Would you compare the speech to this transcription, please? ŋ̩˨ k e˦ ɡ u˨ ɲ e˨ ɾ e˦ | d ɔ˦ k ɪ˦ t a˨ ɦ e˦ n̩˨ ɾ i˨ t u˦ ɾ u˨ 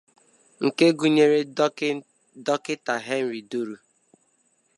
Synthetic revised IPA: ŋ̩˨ k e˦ ɡ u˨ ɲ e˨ ɾ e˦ | d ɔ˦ k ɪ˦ t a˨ ɦ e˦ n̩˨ ɾ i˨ d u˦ ɾ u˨